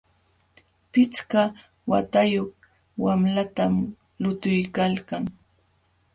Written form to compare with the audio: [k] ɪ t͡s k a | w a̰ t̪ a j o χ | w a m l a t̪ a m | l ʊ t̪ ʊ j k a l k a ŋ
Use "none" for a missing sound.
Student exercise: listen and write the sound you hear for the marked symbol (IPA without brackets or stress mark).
p